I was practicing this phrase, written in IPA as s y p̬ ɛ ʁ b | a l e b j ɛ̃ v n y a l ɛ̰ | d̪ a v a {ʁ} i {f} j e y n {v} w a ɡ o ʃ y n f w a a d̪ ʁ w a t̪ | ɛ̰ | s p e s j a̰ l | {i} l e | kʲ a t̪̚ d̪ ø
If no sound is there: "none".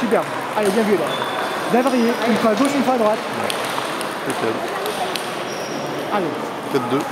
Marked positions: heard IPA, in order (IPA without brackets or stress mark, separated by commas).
ʁ, none, f, a